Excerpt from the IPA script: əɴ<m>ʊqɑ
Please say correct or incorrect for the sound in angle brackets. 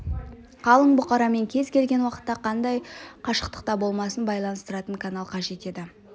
incorrect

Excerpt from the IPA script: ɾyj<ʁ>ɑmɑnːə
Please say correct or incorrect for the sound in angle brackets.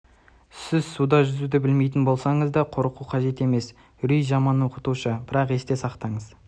incorrect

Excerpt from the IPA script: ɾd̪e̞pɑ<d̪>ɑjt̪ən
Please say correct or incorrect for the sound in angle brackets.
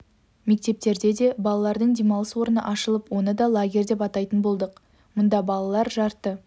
incorrect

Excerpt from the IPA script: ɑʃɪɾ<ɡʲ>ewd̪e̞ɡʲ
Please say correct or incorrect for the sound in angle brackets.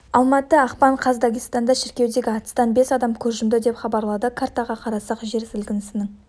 incorrect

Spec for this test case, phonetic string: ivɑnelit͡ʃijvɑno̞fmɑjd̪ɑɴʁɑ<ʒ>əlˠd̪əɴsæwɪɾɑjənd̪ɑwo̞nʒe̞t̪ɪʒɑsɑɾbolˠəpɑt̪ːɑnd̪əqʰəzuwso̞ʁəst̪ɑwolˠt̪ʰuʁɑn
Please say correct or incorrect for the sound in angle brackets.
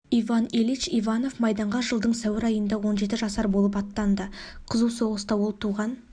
correct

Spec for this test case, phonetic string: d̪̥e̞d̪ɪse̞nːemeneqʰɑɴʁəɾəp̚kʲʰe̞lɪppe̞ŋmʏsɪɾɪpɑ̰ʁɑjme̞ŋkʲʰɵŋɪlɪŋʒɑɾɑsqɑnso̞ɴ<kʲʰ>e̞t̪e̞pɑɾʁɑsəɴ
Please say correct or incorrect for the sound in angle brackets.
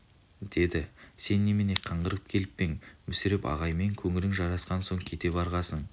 correct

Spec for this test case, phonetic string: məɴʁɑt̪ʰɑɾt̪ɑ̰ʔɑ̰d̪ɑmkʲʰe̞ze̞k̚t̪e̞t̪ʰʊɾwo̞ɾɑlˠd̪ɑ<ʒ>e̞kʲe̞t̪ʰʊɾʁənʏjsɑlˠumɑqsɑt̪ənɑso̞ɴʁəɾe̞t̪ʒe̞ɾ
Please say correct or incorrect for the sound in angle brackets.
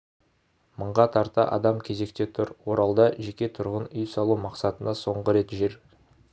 correct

